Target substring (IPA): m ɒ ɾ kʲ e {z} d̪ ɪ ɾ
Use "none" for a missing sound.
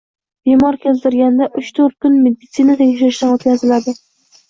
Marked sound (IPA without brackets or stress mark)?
z